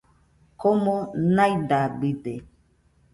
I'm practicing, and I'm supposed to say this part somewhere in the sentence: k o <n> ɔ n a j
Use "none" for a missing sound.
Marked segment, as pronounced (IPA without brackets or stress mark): m